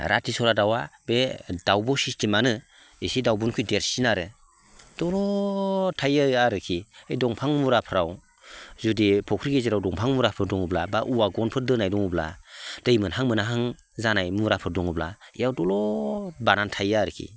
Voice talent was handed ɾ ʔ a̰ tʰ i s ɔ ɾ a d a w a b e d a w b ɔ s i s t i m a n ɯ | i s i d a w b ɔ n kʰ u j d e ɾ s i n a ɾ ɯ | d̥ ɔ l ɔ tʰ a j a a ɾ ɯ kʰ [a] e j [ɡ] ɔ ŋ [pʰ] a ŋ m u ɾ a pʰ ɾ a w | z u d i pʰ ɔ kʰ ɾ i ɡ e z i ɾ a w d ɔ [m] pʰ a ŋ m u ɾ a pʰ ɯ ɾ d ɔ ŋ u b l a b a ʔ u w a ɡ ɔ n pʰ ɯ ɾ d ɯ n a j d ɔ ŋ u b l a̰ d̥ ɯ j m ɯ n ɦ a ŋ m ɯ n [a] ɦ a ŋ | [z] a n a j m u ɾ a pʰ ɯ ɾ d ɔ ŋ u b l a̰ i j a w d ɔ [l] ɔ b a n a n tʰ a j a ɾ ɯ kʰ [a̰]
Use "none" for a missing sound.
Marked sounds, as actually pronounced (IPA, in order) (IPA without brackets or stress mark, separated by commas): i, d, pʰ, ŋ, a, z, l, ḭ